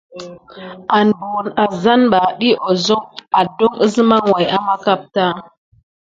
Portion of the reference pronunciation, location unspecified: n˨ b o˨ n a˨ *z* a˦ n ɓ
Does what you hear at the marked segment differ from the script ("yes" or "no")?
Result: no